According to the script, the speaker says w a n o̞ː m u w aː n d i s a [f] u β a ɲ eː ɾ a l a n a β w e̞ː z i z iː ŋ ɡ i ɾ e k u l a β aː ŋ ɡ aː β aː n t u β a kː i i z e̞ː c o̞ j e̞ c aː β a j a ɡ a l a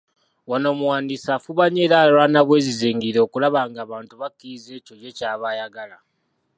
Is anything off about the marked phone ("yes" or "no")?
no